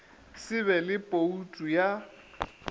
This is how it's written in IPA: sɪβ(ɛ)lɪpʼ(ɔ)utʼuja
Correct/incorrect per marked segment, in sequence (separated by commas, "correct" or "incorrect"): correct, incorrect